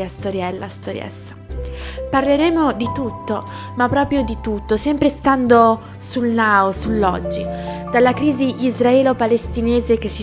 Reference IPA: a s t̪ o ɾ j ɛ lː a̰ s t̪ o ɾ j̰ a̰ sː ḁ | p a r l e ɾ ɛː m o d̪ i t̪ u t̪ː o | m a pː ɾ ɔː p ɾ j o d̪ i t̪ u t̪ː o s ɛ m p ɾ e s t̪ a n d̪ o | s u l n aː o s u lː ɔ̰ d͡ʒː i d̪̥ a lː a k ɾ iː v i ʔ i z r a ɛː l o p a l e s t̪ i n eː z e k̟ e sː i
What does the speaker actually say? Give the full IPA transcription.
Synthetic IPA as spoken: a s t̪ o ɾ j ɛ lː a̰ s t̪ o ɾ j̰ ɛ̰ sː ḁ | p a r l e ɾ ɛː m o d̪ i t̪ u t̪ː o | m a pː ɾ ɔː p ɾ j o d̪ i t̪ u t̪ː o s ɛ m p ɾ e s t̪ a n d̪ o | s u l n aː o s u lː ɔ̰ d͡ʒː i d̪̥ a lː a k ɾ iː z i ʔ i z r a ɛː l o p a l e s t̪ i n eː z e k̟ e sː i